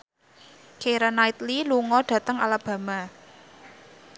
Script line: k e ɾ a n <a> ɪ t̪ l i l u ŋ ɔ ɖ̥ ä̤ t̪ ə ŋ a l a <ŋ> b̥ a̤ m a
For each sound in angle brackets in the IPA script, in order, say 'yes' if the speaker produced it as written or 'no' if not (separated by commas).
yes, no